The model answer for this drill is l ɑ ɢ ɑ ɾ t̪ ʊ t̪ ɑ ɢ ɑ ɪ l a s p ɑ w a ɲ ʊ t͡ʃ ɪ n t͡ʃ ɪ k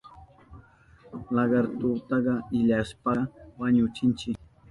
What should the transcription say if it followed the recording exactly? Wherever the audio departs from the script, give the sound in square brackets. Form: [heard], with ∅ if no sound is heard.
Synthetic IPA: l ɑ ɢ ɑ ɾ t̪ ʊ t̪ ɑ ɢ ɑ ɪ [ʎ] a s p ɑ w a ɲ ʊ t͡ʃ ɪ n t͡ʃ ɪ k